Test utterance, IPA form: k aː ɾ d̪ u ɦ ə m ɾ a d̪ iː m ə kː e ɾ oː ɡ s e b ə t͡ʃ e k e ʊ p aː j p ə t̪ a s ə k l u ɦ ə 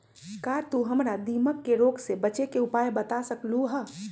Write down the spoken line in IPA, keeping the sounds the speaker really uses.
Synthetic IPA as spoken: k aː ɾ t̪ u ɦ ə m ɾ a d̪ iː m ə kː e ɾ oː ɡ s e b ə t͡ʃ e k e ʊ p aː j b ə t̪ a s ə k l u ɦ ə